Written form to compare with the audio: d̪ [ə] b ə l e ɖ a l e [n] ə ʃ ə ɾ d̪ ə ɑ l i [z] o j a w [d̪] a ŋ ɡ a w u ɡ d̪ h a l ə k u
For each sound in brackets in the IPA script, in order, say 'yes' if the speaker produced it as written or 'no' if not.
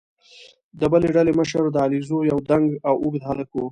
yes, no, yes, yes

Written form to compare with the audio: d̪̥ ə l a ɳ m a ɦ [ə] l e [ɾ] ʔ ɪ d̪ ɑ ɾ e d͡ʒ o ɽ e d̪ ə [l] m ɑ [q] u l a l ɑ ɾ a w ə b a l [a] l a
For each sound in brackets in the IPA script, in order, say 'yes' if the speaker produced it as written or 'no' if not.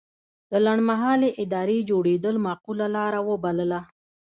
no, no, yes, yes, no

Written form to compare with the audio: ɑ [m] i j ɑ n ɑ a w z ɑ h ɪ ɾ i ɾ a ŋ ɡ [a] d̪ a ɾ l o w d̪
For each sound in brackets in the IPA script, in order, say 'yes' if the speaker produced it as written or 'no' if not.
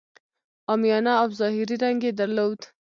yes, no

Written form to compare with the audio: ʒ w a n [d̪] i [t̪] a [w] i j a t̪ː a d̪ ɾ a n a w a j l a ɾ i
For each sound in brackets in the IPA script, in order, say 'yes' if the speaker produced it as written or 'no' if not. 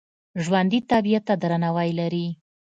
yes, yes, no

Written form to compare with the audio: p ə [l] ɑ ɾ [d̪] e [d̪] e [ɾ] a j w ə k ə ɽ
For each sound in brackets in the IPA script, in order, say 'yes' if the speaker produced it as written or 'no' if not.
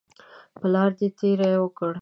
yes, yes, no, yes

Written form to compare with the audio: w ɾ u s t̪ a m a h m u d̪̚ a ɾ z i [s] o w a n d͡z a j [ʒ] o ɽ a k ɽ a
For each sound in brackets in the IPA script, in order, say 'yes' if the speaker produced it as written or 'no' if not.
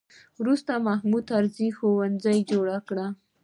no, no

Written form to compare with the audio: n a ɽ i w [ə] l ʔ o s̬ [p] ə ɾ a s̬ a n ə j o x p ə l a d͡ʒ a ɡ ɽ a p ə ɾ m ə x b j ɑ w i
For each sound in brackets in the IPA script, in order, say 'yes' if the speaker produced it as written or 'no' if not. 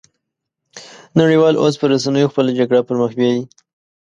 no, yes

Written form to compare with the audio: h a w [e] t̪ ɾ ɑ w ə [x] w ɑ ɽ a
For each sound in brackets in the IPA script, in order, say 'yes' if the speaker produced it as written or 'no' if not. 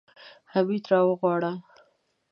no, no

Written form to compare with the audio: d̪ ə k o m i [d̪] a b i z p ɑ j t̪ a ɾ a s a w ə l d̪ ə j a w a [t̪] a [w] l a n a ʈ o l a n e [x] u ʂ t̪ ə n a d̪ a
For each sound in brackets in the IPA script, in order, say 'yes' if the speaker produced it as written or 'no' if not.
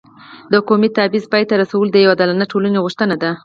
no, no, no, no

